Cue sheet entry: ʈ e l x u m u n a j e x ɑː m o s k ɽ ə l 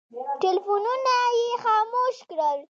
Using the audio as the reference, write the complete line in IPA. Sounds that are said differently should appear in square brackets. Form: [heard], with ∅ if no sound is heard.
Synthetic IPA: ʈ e l [f] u [n] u n a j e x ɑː m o [ʃ] k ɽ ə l